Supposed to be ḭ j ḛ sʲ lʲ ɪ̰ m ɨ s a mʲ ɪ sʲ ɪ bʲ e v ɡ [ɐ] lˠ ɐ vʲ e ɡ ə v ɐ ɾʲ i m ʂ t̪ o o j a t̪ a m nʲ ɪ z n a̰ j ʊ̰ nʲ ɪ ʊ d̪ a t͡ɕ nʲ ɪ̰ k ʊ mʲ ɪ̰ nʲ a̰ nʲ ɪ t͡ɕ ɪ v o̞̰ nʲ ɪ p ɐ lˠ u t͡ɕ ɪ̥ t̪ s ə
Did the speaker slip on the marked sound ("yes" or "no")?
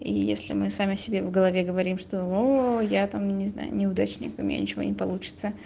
yes